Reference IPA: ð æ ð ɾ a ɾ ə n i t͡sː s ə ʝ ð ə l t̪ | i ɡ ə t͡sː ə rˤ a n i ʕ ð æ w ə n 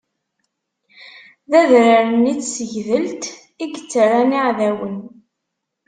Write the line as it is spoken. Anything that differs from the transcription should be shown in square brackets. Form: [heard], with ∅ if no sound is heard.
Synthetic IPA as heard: ð æ ð ɾ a ɾ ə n i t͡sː s ə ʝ ð ə l t̪ | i ɡ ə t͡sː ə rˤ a n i ʕ ð æ w ə n